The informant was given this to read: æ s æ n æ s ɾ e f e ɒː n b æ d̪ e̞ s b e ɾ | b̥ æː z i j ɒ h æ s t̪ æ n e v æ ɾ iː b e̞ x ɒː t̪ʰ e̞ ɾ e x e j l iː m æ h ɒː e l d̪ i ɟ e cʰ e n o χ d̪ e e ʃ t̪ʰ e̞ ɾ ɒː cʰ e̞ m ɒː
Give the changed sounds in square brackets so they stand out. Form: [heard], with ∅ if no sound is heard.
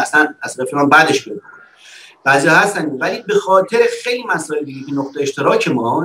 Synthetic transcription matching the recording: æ s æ n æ s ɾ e f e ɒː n b æ d̪ e̞ [ʃ] b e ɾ | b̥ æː z i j ɒ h æ s t̪ æ n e v æ [l] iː b e̞ x ɒː t̪ʰ e̞ ɾ e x e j l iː m æ [s] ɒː e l d̪ i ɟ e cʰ e n o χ [t̪] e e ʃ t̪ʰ e̞ ɾ ɒː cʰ e̞ m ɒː